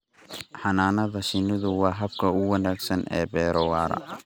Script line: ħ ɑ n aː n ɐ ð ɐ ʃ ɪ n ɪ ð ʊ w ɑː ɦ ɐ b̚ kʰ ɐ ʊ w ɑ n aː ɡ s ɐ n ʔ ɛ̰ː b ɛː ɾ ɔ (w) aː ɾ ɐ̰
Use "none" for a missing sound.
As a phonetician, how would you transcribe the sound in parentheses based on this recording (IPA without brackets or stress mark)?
w